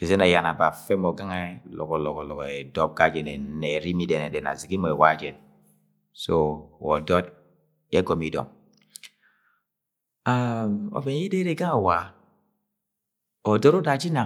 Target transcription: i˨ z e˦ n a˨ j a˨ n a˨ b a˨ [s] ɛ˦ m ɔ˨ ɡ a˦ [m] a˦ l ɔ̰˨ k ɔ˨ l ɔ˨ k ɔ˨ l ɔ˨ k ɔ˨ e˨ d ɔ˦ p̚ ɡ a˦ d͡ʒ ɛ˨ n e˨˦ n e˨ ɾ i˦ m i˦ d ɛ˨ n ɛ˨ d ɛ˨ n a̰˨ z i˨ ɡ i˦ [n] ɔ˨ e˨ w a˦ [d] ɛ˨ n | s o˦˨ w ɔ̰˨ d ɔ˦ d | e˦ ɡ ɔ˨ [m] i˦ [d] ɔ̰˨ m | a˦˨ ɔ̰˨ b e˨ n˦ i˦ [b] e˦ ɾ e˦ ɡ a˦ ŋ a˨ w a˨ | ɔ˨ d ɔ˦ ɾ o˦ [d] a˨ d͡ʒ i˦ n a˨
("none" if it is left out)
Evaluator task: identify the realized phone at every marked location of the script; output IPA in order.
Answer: f, ŋ, m, d͡ʒ, m, d, d, d

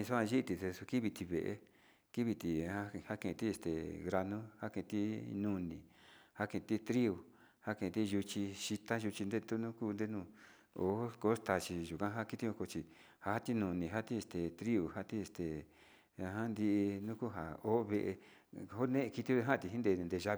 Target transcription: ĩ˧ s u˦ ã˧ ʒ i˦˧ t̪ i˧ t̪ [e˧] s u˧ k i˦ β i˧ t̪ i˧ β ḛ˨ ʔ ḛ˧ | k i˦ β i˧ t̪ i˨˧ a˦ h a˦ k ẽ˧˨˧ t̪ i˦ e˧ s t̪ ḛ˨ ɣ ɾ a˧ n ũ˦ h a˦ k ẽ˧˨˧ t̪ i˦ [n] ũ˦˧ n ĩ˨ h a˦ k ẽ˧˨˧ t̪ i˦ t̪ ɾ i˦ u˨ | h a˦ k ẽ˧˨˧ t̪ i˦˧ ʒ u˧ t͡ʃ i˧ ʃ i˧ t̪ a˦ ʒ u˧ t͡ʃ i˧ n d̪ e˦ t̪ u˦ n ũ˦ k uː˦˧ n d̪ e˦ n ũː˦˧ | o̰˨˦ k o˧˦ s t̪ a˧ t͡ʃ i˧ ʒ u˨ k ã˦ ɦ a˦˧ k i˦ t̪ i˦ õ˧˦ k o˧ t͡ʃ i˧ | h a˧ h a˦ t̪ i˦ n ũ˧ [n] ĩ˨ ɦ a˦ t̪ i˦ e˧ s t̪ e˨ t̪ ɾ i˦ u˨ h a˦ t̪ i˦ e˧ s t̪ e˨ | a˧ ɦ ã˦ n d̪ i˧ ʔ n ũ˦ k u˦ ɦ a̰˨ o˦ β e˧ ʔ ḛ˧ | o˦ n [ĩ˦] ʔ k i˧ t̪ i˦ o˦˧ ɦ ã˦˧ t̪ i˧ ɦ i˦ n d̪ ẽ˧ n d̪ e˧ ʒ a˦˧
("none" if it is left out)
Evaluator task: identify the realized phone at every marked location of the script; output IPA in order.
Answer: e˧, n, n, ẽ˦

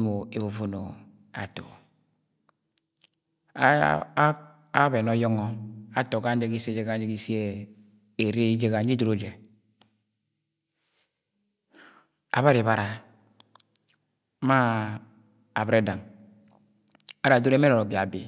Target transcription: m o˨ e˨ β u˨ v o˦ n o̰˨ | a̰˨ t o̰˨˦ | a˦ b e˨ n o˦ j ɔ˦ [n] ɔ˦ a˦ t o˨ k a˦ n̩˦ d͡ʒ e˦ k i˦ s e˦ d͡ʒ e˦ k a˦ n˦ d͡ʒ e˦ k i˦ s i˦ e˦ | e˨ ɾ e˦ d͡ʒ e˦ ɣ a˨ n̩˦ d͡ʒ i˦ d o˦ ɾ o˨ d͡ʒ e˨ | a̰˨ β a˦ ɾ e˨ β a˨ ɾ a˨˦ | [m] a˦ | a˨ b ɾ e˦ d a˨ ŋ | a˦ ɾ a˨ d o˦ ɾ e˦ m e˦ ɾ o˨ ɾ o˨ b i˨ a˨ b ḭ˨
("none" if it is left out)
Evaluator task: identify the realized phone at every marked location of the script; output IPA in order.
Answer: ŋ, m

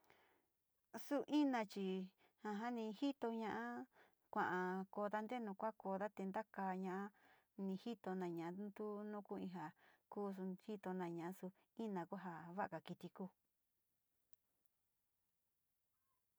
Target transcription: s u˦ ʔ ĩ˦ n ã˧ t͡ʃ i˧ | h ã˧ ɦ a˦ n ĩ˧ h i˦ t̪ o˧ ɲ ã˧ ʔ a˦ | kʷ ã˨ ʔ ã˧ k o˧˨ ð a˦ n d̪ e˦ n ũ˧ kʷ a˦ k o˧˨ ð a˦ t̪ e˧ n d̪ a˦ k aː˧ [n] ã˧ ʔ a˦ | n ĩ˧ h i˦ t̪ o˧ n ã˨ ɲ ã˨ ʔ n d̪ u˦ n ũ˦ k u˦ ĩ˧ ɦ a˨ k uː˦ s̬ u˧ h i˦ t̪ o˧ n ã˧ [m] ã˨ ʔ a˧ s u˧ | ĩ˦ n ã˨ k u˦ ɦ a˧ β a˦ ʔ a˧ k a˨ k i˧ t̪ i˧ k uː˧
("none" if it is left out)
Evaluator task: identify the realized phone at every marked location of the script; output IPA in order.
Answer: ɲ, ɲ

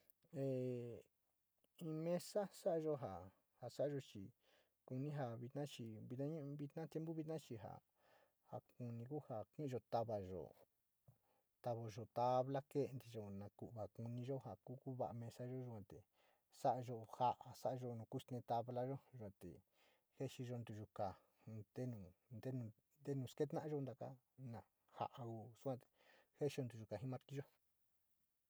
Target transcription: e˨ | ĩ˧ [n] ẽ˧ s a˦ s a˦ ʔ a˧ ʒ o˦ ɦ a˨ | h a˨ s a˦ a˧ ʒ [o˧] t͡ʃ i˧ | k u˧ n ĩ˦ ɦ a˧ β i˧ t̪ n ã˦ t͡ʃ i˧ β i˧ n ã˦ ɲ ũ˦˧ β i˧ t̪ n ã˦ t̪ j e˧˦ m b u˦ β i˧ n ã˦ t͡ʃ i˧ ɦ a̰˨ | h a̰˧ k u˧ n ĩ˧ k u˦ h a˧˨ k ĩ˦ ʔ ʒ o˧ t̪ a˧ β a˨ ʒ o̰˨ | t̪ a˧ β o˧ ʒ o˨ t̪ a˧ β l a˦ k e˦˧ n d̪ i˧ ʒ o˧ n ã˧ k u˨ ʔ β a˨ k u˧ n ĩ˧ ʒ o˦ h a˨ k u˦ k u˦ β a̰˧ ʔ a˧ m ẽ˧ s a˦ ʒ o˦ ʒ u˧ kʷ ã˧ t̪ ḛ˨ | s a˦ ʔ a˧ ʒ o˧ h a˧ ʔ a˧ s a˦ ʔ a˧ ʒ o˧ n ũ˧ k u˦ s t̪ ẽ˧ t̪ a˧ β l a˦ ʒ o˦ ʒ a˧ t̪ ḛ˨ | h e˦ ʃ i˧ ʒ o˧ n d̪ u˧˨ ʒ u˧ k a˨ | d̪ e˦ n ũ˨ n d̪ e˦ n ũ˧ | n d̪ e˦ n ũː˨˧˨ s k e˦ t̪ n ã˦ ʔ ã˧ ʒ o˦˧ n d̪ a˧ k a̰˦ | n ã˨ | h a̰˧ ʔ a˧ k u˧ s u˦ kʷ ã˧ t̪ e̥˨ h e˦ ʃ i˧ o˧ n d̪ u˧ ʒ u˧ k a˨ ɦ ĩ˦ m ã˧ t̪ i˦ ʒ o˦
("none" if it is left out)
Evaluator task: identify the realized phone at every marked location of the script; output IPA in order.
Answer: m, o˧

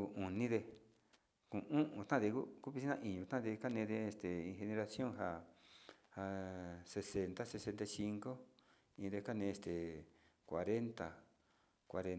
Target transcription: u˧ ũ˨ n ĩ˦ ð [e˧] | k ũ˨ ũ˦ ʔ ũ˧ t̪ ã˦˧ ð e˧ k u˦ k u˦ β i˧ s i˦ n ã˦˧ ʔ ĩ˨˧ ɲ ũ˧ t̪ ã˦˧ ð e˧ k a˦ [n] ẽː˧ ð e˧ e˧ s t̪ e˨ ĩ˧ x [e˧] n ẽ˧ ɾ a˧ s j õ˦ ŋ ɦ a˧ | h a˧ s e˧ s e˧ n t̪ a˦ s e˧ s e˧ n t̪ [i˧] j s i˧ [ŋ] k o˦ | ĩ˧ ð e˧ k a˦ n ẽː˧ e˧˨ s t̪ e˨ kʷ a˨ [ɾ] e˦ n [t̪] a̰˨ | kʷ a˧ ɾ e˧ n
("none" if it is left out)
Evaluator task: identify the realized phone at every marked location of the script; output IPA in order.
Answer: e˧, n, e˧, a˧, ŋ, ɾ, t̪

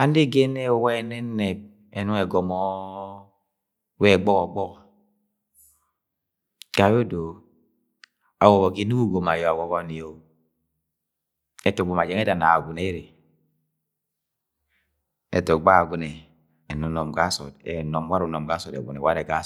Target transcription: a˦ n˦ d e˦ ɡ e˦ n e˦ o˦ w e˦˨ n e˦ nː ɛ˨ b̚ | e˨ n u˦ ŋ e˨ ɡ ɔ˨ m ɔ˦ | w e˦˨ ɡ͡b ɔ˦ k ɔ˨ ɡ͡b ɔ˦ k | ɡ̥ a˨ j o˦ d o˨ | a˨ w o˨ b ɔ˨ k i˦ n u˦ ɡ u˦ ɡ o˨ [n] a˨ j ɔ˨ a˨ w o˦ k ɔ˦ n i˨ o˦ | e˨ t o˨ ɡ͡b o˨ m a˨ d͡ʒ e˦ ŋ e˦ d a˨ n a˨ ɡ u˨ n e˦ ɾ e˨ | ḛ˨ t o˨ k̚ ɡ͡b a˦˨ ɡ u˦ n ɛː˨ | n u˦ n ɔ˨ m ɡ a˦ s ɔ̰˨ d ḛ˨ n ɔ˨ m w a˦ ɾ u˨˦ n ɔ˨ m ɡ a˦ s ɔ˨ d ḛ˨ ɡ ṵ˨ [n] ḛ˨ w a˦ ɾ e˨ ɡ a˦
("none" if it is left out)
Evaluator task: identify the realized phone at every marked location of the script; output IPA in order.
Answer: m, n

